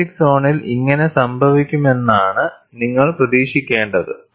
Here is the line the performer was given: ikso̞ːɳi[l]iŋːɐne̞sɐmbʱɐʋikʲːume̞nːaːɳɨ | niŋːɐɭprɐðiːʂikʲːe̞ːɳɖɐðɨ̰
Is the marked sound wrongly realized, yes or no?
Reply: no